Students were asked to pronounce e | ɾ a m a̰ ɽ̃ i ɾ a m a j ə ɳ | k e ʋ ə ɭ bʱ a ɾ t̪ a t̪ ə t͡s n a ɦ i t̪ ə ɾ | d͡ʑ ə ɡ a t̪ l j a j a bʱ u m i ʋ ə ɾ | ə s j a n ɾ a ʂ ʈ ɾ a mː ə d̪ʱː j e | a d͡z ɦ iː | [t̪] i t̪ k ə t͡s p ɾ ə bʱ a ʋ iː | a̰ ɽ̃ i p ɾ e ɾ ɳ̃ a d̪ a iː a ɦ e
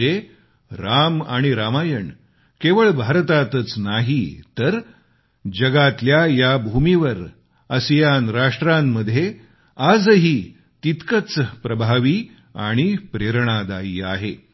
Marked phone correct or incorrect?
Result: correct